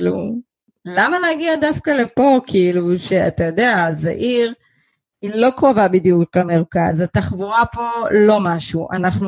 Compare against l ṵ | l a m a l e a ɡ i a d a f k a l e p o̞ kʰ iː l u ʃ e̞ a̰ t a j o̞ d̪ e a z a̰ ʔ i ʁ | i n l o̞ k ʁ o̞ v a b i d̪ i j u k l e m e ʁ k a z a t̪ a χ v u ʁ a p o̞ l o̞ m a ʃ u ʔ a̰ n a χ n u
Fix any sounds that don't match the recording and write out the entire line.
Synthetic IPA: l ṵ | l a m a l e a ɡ i a d a f k a l e p o̞ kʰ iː l u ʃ e̞ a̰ t a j o̞ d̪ e a z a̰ ʔ i ʁ | i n l o̞ k ʁ o̞ v a b i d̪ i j u k l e m e ʁ k a z a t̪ a χ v u ʁ a p o̞ l o̞ m a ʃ u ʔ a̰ n a χ n u